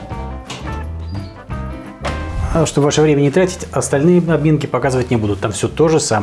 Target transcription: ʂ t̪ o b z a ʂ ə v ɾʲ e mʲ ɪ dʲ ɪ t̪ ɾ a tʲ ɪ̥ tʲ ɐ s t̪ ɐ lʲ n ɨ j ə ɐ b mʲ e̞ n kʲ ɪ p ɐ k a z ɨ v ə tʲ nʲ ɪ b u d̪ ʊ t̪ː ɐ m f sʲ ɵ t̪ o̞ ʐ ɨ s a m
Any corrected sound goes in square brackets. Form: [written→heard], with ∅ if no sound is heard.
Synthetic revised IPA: ʂ t̪ o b [z→v] a ʂ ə v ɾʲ e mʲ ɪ [dʲ→nʲ] ɪ t̪ ɾ a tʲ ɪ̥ tʲ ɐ s t̪ ɐ lʲ n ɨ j ə ɐ b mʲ e̞ n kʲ ɪ p ɐ k a z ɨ v ə tʲ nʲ ɪ b u d̪ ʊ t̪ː [ɐ→a] m f sʲ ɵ t̪ o̞ ʐ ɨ s a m